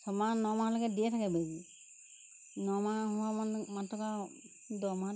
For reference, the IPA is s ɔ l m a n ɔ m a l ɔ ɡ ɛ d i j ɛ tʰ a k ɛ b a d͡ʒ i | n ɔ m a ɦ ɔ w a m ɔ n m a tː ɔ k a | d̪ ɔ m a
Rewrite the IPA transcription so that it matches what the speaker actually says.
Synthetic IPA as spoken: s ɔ m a n ɔ m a l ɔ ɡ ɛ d i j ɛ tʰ a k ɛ b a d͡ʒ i | n ɔ m a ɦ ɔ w a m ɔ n m a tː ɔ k a | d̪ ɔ m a